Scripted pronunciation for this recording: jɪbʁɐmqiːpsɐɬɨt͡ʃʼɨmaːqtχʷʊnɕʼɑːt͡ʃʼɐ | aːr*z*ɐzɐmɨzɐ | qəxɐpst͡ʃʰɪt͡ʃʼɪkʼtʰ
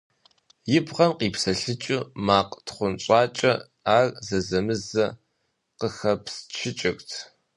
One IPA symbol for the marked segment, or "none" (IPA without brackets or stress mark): z